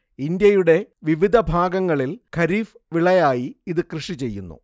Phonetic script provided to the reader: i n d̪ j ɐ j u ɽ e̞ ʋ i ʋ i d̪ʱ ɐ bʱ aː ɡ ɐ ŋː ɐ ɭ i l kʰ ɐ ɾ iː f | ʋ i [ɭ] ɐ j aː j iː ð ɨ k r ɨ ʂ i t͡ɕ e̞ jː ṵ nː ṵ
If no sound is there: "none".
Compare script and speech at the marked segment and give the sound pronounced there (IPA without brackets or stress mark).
ɭ